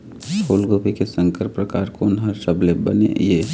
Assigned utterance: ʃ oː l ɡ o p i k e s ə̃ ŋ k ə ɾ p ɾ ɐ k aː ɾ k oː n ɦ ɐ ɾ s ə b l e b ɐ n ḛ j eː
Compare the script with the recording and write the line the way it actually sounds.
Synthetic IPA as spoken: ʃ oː l ɡ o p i k e s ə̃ ŋ k ə ɾ p ɾ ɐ k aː ɾ k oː n ɦ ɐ ɾ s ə b l e b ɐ n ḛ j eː